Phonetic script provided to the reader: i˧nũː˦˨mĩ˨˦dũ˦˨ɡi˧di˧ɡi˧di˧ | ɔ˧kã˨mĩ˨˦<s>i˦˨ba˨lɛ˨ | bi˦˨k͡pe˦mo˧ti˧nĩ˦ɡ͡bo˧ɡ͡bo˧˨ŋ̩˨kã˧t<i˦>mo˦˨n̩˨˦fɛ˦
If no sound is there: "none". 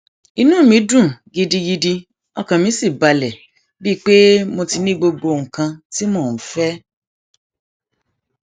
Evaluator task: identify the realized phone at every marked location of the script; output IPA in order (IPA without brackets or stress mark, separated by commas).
s, i˦